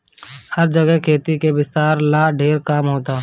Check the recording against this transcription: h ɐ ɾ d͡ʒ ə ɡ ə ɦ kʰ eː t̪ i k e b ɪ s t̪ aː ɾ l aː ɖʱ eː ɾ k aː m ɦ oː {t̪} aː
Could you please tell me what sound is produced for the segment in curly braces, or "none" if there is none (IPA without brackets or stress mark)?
t̪